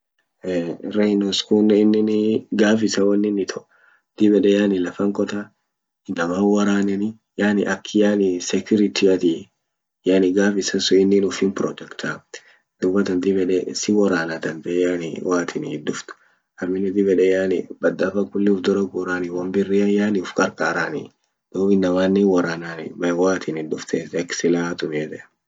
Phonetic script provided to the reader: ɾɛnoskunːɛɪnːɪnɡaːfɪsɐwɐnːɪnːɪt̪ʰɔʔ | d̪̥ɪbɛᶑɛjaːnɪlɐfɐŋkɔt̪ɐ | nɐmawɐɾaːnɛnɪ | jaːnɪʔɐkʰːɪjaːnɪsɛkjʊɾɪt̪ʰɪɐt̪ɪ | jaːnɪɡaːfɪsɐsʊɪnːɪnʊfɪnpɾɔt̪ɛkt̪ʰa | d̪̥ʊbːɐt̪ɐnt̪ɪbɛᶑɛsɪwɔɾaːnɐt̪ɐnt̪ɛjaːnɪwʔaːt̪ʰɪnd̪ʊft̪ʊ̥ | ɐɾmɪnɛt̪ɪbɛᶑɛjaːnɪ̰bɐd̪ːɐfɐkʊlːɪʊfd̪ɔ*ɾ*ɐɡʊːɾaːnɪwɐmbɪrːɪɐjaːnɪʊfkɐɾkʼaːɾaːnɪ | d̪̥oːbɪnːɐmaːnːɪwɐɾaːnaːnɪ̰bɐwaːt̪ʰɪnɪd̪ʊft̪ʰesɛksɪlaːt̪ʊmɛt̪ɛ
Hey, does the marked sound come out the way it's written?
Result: yes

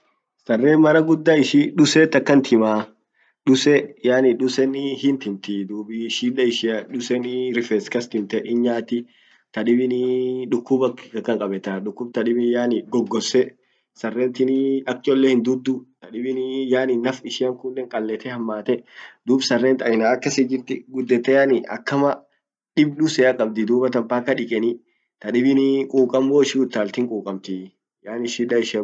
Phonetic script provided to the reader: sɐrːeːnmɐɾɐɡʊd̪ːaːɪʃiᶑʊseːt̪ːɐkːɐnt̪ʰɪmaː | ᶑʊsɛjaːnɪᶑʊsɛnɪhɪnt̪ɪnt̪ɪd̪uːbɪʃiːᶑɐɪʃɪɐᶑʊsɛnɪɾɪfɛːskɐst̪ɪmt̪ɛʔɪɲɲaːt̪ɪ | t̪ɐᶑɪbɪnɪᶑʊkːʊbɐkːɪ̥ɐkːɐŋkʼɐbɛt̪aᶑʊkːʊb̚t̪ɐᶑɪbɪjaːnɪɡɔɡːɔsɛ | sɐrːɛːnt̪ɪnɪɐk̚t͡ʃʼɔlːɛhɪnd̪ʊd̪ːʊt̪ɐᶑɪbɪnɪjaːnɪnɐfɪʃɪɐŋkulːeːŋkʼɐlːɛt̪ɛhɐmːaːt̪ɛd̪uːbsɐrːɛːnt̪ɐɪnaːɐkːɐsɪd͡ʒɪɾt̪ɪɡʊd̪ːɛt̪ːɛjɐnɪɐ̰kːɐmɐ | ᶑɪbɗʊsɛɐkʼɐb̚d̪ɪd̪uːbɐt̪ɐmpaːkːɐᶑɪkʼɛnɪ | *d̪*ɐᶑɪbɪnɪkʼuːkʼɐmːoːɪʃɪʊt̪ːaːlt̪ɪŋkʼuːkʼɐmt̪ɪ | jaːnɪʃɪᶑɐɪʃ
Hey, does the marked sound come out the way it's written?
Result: no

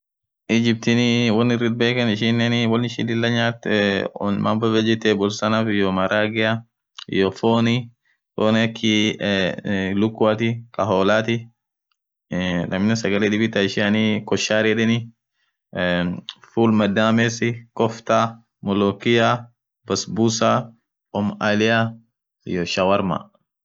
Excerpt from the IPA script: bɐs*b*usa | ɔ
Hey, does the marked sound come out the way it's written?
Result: yes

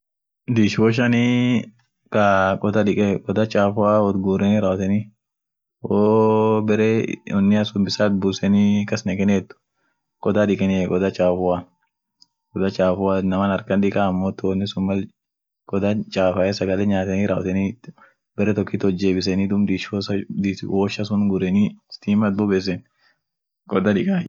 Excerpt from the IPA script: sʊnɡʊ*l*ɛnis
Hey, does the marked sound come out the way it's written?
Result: no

